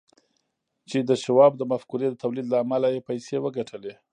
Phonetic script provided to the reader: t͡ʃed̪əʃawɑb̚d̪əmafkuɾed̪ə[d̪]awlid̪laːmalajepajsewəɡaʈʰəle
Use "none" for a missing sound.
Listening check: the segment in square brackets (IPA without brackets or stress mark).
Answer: t̪